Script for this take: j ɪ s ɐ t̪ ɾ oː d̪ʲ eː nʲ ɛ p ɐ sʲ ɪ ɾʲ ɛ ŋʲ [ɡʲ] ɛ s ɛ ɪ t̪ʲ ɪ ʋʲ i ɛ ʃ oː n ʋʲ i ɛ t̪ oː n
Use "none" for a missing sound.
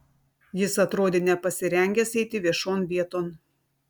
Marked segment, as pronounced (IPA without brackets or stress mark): ɡʲ